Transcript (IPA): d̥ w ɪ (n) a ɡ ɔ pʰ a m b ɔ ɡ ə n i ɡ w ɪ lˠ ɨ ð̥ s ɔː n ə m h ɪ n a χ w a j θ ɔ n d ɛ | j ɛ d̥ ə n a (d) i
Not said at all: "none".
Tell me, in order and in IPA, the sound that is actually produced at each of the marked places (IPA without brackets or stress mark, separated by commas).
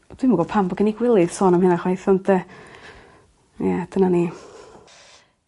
m, n